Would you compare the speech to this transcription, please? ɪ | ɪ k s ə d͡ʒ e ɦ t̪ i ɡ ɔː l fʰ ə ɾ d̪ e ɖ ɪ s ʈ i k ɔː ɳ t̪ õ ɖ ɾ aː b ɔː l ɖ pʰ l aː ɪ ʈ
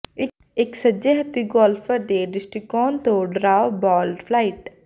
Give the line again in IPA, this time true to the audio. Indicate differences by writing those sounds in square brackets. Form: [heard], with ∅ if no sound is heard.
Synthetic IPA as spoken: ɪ | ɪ k s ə d͡ʒ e ɦ t̪ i ɡ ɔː l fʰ ə ɾ d̪ e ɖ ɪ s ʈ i k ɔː [n] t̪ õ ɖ ɾ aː b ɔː l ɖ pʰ l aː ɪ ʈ